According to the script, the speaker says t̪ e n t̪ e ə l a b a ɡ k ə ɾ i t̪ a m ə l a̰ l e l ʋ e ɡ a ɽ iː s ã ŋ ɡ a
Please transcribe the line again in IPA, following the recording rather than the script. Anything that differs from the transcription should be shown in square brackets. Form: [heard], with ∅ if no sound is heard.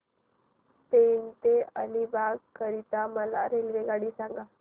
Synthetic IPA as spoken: t̪ e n t̪ e ə l [i] b a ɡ k ə ɾ i t̪ a m ə l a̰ [ɾ] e l ʋ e ɡ a ɽ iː s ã ŋ ɡ a